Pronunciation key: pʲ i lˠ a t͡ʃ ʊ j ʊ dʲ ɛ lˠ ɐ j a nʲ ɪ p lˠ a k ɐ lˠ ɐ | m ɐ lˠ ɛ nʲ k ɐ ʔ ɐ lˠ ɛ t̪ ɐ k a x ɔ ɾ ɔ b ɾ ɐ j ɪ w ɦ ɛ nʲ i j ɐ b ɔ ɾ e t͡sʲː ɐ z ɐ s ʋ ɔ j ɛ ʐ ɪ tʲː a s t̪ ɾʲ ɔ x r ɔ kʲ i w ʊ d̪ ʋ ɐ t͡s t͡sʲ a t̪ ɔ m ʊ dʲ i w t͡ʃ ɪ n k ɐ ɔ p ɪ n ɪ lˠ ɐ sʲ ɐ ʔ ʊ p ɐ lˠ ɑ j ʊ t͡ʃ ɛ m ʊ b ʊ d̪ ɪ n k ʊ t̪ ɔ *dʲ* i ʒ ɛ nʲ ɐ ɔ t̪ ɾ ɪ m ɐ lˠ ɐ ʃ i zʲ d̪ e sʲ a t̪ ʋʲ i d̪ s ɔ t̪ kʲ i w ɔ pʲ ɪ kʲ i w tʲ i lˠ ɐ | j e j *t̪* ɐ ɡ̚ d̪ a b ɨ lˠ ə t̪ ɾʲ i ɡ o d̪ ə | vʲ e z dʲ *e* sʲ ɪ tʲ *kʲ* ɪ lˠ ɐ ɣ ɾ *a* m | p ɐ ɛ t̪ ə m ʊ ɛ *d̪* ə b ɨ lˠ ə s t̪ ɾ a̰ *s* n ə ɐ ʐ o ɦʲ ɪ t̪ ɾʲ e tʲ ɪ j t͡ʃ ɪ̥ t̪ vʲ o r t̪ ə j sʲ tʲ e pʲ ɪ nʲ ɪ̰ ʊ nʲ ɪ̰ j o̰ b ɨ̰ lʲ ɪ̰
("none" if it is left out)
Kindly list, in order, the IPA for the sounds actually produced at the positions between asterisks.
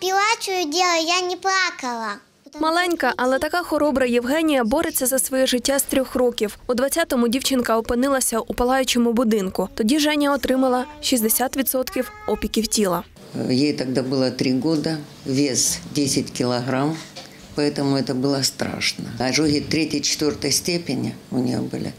dʲ, t̪, e, kʲ, a, t̪, ʂ

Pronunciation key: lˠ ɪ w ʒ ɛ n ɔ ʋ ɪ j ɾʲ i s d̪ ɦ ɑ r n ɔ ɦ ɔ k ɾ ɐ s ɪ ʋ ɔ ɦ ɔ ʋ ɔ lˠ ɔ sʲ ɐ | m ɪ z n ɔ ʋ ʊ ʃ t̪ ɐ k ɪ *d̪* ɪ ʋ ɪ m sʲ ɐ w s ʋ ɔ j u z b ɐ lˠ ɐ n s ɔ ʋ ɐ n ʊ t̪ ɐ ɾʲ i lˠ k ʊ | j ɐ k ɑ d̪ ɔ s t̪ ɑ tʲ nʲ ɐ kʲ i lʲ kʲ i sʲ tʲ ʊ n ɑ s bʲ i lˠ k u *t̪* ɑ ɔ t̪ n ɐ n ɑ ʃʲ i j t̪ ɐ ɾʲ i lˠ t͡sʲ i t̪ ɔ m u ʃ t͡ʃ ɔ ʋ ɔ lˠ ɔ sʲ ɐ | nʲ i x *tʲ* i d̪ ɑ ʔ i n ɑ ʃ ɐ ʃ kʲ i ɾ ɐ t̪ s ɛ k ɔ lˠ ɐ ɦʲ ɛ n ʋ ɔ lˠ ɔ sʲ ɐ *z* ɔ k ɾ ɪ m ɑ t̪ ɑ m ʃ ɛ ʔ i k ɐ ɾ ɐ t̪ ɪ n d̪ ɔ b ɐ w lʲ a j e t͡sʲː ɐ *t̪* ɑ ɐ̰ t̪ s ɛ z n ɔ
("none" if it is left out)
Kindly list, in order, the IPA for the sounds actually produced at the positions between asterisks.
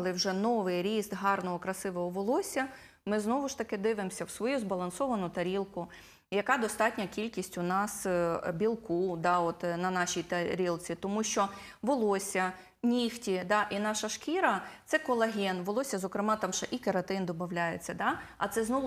d̪, d̪, tʲ, z, d̪

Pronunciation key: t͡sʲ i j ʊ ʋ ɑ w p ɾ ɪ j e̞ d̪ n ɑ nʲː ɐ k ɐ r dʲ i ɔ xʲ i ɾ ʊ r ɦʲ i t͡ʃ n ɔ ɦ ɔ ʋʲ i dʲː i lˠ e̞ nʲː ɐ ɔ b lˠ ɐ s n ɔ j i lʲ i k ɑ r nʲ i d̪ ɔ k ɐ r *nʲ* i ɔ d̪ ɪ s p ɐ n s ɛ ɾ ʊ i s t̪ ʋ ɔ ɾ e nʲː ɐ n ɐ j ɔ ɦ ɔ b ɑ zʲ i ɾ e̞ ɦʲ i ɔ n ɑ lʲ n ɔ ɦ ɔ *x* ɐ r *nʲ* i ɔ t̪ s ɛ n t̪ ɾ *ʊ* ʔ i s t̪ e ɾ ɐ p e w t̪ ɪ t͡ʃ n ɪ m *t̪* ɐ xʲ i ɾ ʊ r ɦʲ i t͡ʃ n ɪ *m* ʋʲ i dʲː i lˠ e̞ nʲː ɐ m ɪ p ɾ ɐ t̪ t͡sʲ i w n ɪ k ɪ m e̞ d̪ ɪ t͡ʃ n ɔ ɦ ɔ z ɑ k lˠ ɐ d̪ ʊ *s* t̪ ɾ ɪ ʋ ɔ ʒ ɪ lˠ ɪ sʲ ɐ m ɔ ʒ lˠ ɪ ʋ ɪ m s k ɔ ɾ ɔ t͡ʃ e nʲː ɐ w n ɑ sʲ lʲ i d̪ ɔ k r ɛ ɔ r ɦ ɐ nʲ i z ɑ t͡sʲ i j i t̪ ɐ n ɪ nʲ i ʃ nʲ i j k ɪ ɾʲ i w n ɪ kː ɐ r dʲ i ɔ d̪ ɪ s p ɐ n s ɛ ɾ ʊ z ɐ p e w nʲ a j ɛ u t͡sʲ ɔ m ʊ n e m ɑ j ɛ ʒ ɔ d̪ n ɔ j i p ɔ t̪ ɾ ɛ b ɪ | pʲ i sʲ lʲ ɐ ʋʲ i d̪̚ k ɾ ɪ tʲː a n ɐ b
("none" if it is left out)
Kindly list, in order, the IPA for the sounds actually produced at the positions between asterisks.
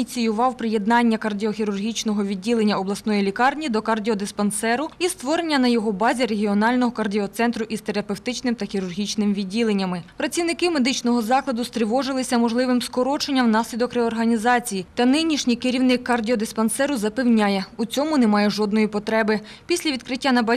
dʲ, k, dʲ, ʊ, t̪, m, s

